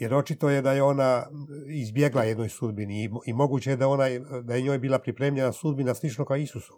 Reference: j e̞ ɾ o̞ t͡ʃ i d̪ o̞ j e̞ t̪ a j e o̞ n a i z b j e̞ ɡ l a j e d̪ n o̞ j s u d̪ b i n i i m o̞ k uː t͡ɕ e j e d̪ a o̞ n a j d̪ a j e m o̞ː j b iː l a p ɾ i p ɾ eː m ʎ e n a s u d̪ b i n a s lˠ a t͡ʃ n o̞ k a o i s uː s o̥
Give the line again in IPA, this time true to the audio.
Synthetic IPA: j e̞ ɾ o̞ t͡ʃ i t̪ o̞ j e̞ d̪ a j e o̞ n a i z b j e̞ ɡ l a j e d̪ n o̞ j s u d̪ b i n i i m o̞ ɡ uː t͡ɕ e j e d̪ a o̞ n a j d̪ a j e ɲ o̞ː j b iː l a p ɾ i p ɾ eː m ʎ e n a s u d̪ b i n a s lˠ i t͡ʃ n o̞ k a o i s u s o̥